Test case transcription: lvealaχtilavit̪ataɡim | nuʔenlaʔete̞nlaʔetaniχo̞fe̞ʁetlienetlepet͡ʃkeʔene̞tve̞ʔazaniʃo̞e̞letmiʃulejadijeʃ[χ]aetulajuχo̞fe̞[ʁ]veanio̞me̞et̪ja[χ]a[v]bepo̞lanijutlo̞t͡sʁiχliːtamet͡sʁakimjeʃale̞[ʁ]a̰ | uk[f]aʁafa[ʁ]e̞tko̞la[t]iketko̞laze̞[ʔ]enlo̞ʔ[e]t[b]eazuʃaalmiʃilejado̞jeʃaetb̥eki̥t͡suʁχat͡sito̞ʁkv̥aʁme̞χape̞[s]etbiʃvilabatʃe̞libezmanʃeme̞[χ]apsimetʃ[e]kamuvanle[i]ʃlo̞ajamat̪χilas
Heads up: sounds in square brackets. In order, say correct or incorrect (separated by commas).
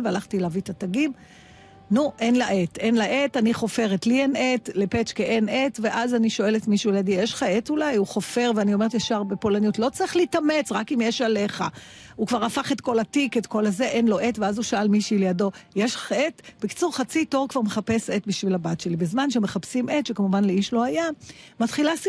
correct, correct, incorrect, incorrect, incorrect, incorrect, incorrect, correct, correct, correct, incorrect, correct, correct, correct, correct